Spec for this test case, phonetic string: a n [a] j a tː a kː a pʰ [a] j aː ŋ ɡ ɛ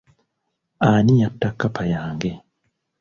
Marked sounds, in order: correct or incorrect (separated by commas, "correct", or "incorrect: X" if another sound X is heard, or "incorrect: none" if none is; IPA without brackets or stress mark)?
incorrect: i, correct